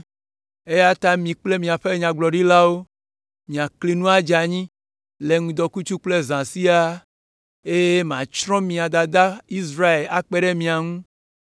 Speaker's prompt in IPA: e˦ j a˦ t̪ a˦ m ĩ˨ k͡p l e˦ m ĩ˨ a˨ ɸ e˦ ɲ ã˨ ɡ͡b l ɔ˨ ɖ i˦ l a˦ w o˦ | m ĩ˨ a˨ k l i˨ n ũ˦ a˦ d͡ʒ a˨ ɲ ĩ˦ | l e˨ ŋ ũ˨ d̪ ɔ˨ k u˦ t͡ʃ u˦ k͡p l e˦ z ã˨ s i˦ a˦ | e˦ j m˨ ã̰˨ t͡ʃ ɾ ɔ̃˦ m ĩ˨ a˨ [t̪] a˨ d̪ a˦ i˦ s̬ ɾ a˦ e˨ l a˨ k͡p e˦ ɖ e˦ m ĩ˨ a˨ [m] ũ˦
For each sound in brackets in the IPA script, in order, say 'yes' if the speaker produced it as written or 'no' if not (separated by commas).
no, no